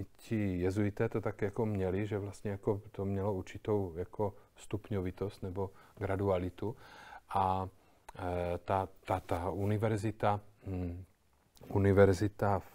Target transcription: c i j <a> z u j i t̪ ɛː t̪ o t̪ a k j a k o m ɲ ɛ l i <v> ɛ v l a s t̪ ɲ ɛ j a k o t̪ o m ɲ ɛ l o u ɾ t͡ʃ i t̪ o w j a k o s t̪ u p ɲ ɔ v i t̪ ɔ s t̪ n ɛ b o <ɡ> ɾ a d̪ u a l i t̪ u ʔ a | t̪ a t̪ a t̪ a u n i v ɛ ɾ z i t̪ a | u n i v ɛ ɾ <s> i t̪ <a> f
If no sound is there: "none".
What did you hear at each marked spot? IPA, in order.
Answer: ɛ, ʒ, ɡ, z, a

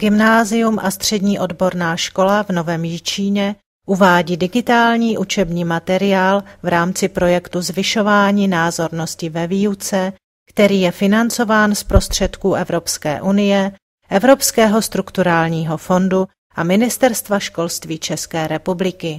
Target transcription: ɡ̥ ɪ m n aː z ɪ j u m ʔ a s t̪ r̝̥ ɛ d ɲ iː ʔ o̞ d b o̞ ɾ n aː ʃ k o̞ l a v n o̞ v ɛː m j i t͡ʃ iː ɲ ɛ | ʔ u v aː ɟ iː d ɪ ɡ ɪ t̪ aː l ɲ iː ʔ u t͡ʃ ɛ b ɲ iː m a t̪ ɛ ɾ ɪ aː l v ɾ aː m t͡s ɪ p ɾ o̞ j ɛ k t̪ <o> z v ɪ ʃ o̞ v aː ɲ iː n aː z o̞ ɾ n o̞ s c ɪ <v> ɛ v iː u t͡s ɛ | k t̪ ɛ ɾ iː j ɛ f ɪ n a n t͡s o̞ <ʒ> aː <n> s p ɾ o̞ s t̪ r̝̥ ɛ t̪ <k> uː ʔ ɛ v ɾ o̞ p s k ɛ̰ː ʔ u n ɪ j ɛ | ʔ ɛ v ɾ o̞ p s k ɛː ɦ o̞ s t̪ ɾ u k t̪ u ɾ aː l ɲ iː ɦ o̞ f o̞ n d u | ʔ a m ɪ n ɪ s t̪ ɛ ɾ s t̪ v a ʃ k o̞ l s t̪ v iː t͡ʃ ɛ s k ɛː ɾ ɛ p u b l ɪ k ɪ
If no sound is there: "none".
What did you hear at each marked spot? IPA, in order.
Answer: u, v, v, n, k

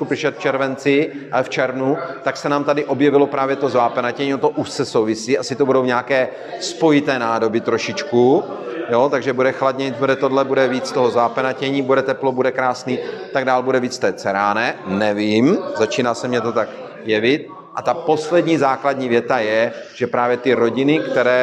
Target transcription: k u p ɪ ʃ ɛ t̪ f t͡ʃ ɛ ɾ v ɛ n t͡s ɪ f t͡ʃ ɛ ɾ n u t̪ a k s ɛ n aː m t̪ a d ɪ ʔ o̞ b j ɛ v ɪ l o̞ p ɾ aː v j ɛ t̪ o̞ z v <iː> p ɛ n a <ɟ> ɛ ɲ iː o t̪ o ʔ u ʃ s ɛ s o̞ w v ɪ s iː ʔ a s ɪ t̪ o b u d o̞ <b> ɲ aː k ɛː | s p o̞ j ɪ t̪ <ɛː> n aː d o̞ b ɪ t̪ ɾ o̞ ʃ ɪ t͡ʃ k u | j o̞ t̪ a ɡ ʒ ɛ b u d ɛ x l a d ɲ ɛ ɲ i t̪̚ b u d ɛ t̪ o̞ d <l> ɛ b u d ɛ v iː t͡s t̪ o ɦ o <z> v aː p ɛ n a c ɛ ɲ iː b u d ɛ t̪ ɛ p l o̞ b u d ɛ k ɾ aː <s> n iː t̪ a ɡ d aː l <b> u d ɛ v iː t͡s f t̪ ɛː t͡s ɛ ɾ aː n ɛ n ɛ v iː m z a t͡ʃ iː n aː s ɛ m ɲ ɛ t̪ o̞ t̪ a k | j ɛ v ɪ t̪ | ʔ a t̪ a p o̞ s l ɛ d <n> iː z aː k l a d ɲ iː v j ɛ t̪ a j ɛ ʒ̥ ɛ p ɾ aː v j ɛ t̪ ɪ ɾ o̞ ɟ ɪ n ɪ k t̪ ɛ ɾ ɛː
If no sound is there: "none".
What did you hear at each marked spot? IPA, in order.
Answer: aː, c, w, ɛː, l, z, s, b, ɲ

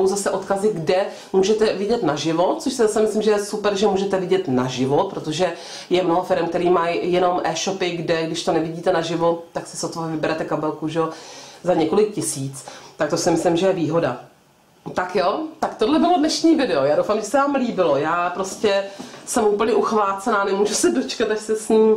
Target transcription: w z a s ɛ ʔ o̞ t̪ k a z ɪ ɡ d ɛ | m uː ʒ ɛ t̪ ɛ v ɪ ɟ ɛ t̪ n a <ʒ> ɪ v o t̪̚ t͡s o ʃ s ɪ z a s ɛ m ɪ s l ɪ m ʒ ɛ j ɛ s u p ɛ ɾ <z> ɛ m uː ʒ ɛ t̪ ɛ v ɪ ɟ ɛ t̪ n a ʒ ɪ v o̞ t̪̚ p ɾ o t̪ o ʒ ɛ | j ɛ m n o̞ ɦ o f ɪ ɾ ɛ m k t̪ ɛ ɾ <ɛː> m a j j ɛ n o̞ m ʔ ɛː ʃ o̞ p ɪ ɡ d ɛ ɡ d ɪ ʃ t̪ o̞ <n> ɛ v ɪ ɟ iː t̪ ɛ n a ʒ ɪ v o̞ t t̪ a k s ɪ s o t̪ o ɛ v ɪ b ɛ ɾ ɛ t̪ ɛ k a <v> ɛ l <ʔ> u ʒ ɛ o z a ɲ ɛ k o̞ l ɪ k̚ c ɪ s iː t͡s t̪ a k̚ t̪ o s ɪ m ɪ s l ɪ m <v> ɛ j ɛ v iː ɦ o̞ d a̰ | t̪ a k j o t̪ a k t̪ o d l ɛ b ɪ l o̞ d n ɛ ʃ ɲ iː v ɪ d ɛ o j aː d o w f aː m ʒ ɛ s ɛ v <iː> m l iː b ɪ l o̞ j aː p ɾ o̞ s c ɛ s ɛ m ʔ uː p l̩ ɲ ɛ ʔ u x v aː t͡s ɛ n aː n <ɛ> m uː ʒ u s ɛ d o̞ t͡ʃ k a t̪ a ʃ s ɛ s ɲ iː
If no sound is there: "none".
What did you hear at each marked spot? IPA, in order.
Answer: ʒ, ʒ, iː, n, b, k, ʒ, aː, ɛ

